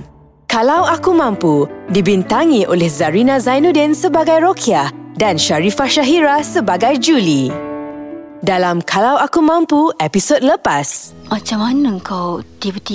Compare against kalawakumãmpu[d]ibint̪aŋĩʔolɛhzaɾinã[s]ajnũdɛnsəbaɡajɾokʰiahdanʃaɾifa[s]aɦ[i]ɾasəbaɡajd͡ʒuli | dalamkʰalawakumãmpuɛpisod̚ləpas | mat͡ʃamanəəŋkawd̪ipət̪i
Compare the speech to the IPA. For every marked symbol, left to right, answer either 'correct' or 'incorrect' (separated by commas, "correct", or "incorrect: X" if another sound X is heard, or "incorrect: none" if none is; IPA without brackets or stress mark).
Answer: correct, incorrect: z, incorrect: ʃ, correct